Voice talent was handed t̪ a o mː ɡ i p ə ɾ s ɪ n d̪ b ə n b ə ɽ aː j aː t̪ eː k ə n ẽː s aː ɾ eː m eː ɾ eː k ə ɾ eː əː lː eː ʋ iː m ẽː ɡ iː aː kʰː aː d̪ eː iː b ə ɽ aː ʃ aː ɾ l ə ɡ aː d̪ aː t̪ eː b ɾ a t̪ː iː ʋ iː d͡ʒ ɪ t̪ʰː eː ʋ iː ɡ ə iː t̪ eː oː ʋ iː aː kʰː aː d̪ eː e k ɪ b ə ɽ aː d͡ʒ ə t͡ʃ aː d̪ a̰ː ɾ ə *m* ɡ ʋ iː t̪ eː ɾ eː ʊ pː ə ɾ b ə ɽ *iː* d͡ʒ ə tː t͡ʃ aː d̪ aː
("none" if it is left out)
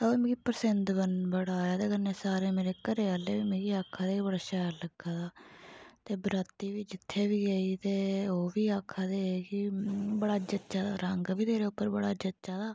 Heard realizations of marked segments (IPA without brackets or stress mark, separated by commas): ŋ, aː